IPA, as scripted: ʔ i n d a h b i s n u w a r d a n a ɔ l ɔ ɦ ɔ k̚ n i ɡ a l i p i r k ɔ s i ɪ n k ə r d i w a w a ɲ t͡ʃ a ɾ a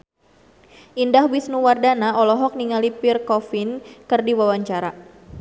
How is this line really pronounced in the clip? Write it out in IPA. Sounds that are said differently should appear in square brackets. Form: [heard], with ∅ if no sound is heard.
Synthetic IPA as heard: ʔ i n d a h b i s n u w a r d a n a ɔ l ɔ ɦ ɔ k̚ n i [ŋ] a l i p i r k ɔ [f] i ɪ n k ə r d i w a w a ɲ t͡ʃ a ɾ a